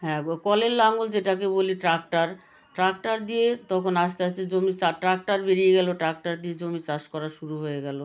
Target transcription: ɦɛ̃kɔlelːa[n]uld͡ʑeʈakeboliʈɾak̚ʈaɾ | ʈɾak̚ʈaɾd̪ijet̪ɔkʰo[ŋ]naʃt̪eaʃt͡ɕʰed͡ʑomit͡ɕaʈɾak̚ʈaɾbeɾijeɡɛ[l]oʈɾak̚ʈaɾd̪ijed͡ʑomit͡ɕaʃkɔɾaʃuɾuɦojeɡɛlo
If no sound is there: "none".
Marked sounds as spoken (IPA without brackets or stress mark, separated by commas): ŋ, none, l